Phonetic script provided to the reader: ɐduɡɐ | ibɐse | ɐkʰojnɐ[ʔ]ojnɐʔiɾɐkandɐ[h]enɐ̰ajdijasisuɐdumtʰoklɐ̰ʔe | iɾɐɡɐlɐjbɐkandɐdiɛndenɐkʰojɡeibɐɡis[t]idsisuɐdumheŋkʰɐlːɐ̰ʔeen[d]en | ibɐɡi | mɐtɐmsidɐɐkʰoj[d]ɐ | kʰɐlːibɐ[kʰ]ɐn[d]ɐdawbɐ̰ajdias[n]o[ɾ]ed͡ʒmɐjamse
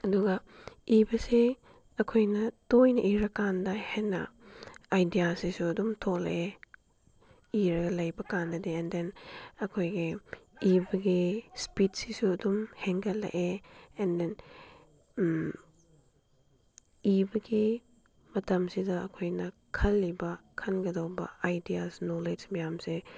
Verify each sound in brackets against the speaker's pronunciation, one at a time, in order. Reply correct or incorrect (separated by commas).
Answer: incorrect, correct, incorrect, correct, incorrect, correct, incorrect, correct, incorrect